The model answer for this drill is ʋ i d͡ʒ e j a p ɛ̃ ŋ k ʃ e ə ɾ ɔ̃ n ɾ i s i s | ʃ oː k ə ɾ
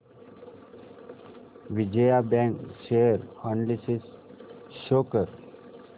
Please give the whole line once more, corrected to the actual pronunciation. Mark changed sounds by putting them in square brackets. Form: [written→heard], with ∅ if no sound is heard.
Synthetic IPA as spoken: ʋ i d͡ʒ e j a [p→b] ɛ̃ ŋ k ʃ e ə ɾ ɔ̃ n [ɾ→l] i s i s | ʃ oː k ə ɾ